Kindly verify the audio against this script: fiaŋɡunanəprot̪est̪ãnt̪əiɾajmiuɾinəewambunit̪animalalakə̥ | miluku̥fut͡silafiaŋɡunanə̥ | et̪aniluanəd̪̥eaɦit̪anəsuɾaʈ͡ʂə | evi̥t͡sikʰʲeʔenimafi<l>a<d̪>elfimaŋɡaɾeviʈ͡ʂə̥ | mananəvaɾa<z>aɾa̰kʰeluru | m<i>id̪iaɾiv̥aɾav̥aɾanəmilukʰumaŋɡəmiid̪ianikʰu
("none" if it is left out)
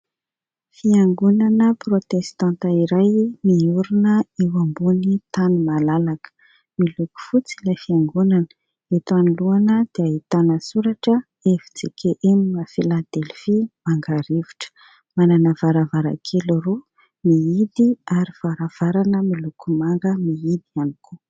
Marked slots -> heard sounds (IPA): l, d̪, v, i

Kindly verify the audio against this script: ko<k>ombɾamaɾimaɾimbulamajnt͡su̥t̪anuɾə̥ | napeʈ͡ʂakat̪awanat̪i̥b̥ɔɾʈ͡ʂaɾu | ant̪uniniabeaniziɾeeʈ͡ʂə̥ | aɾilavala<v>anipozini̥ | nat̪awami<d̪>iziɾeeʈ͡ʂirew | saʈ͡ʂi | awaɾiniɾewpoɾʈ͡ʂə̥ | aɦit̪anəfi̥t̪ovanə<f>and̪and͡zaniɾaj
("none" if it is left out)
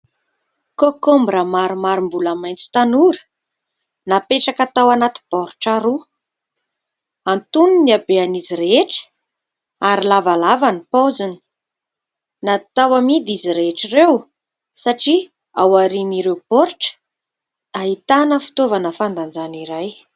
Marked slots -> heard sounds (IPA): k, v, d̪, f

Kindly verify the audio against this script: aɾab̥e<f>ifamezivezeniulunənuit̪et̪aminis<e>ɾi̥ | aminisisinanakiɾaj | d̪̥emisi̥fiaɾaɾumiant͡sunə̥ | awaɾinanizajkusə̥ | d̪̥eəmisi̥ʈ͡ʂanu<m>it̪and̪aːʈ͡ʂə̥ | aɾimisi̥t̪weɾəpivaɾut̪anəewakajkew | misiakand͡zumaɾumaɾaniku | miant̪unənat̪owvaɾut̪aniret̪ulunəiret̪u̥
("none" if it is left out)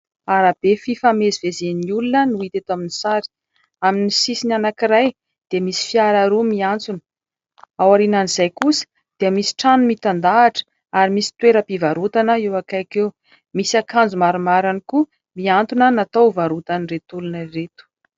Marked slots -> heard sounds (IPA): f, a, m

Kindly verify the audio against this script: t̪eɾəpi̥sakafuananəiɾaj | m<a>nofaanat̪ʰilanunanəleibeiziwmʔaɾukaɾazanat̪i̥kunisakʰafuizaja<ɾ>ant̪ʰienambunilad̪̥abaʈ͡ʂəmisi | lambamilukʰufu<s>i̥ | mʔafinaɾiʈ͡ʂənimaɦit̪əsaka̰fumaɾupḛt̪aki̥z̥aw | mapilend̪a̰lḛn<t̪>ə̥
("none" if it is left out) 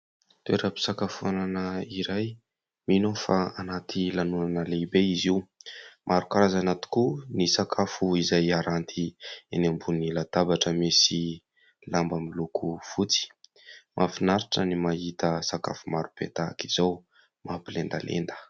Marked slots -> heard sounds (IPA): i, ɾ, t͡s, d̪

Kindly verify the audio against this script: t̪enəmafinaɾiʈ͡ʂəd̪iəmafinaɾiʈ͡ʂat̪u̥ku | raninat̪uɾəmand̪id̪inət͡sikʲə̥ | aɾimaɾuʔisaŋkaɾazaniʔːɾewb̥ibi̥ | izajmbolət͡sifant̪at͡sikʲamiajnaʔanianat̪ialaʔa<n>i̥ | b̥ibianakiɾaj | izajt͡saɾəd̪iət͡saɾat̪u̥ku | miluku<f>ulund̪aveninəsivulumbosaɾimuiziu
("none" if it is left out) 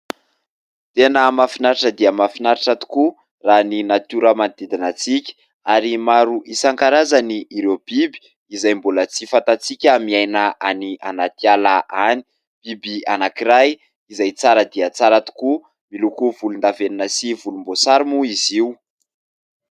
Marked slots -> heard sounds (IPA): n, v

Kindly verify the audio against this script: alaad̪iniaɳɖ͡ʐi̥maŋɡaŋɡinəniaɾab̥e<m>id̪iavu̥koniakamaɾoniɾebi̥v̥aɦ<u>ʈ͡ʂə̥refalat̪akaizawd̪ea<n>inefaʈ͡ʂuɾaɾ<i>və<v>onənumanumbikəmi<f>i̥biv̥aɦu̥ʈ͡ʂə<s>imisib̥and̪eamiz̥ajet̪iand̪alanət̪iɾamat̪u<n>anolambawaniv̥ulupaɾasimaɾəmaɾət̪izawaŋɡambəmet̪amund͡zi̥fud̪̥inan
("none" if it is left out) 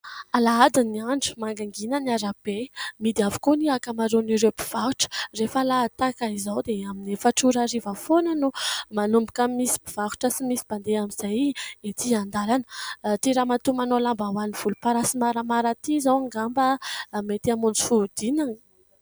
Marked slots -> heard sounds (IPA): m, u, m, i, f, s, s, m

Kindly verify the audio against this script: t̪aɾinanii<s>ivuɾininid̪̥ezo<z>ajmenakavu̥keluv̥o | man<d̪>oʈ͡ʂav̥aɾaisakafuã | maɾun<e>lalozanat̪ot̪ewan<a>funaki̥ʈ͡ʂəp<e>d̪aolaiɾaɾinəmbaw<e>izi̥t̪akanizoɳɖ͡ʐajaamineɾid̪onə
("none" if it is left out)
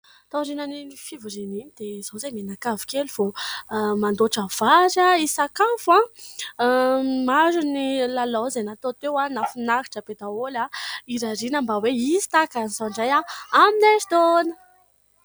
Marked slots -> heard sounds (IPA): f, z, d̪, i, a, e, e

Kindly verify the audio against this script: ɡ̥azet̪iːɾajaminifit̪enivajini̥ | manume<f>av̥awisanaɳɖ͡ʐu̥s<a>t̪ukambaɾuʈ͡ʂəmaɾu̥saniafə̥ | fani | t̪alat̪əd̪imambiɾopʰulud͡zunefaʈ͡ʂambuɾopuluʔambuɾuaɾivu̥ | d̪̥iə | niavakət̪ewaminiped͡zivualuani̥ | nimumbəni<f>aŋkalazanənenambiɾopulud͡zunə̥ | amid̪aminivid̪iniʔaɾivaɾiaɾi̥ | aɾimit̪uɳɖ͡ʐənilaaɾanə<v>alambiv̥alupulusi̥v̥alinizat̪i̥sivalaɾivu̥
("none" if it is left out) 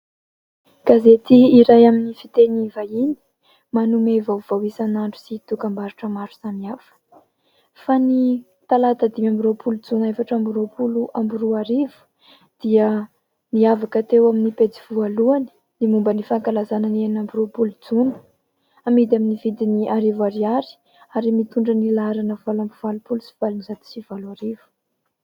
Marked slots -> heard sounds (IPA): v, i, f, v

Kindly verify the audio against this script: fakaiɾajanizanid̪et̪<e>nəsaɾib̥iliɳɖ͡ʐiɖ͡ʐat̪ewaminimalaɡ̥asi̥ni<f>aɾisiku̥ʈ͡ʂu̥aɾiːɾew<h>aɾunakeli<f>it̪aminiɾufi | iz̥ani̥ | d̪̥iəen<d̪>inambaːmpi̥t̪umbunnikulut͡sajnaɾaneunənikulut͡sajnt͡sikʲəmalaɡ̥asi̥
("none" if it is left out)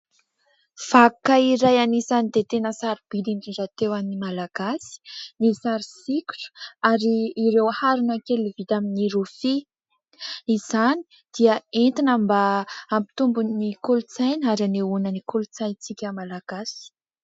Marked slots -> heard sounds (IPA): e, s, h, v, t̪

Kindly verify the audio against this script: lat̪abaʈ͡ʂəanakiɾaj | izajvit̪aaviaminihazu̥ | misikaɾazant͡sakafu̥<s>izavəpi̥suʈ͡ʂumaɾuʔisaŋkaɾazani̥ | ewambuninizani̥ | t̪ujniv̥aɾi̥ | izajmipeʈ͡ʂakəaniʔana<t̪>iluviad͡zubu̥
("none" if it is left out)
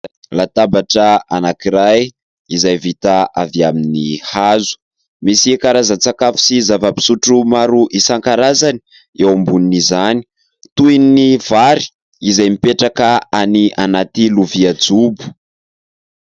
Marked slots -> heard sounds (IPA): s, t̪

